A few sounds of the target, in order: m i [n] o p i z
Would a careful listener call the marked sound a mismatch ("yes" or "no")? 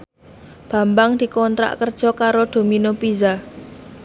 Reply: no